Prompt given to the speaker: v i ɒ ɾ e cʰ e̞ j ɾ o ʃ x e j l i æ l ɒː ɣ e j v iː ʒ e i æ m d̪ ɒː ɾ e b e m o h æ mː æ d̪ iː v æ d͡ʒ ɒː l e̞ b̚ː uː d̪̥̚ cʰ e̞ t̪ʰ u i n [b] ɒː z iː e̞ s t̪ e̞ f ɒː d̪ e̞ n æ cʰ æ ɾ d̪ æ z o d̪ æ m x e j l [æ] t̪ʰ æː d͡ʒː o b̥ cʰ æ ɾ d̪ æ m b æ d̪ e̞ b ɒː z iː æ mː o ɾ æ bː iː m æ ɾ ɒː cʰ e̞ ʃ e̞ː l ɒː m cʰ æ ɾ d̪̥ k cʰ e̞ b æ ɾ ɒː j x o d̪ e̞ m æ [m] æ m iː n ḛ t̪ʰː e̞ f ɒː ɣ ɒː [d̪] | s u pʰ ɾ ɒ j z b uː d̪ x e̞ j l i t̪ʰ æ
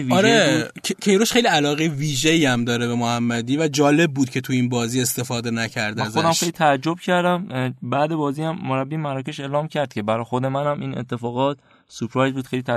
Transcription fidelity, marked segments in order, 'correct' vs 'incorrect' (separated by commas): correct, incorrect, incorrect, incorrect